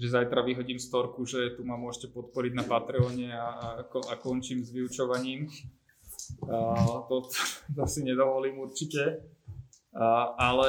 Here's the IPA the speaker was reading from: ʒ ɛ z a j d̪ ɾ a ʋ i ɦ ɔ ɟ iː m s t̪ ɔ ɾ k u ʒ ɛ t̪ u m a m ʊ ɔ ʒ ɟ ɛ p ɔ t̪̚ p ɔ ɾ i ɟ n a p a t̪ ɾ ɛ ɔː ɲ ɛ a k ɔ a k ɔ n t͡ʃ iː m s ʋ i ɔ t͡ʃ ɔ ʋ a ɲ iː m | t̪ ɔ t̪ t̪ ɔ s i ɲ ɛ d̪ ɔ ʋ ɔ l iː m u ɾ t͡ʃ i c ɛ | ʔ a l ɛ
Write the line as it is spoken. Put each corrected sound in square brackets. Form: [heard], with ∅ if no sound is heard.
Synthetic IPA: ʒ ɛ z a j [t̪] ɾ a ʋ i ɦ ɔ ɟ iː m s t̪ ɔ ɾ k u ʒ ɛ t̪ u m a m ʊ ɔ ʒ [c] ɛ p ɔ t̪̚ p ɔ ɾ i ɟ n a p a t̪ ɾ ɛ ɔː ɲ ɛ a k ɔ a k ɔ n t͡ʃ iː m [z] ʋ i [u] t͡ʃ ɔ ʋ a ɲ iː m | t̪ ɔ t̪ t̪ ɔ s i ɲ ɛ d̪ ɔ ʋ ɔ l iː m u ɾ t͡ʃ i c ɛ | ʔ a l ɛ